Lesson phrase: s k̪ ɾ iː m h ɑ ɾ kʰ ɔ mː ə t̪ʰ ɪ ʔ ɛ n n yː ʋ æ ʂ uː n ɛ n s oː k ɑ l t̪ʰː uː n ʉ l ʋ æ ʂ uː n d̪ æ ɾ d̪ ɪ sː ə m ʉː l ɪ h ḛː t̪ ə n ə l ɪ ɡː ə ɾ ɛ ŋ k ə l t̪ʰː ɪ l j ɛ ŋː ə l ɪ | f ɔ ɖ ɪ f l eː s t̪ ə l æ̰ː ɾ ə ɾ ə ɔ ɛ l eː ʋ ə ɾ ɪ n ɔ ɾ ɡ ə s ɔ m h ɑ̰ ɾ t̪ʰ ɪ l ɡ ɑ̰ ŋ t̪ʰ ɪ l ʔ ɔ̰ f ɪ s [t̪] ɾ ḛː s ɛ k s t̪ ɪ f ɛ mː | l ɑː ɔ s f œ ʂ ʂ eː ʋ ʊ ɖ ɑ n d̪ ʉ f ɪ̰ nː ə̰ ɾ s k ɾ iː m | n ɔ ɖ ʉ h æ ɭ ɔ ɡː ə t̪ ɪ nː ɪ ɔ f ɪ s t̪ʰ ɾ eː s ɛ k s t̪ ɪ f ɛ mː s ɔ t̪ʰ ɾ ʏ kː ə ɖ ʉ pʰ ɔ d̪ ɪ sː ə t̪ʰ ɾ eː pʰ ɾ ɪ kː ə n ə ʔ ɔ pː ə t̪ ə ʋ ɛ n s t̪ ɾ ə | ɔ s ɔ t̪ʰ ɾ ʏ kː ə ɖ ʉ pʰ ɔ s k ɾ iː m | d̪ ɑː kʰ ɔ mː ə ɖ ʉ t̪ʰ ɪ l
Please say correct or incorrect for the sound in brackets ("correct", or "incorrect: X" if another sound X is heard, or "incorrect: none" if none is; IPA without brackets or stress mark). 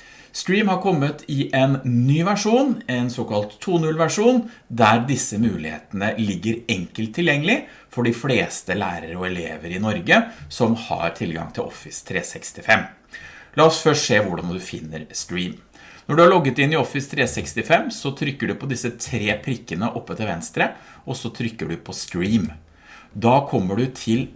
incorrect: t̪ʰ